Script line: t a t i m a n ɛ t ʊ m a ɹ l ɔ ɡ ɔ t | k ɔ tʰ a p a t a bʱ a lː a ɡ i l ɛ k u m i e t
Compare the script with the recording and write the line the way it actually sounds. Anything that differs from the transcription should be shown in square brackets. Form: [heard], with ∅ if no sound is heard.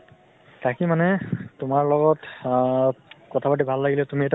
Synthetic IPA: t a [k] i m a n ɛ t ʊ m a ɹ l ɔ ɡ ɔ t | k ɔ tʰ a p a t [i] bʱ a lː a ɡ i l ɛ [t] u m i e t